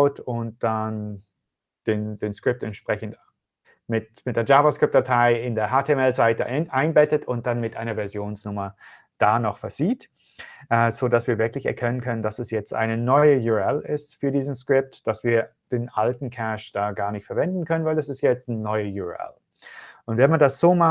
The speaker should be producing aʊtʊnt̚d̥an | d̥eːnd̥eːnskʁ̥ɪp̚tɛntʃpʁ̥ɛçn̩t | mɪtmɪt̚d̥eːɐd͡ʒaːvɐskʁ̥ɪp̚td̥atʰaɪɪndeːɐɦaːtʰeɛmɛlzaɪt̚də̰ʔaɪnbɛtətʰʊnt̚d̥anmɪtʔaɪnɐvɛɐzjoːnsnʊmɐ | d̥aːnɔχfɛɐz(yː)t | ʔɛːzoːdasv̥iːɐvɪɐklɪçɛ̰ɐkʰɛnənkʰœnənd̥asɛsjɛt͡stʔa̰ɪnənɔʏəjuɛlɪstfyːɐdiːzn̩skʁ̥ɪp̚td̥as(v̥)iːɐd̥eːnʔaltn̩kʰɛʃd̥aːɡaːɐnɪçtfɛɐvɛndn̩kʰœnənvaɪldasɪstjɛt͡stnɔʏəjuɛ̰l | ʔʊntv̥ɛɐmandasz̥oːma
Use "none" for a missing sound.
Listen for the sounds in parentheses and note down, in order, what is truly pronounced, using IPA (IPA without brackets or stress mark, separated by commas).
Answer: iː, v̥